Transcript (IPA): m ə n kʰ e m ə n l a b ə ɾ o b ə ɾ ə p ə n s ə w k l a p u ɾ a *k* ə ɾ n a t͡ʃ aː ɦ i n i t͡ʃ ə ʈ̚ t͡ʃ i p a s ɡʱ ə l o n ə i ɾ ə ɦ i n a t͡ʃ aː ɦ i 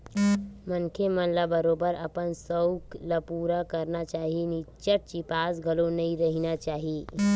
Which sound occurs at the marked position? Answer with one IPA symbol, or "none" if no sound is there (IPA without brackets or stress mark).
k